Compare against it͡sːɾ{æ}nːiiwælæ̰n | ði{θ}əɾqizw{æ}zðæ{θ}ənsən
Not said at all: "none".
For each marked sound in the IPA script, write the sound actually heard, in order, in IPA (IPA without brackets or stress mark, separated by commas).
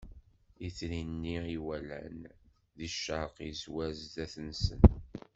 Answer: i, ʃ, æ, θ